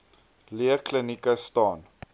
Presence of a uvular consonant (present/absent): absent